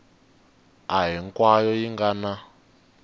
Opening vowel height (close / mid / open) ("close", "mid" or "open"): open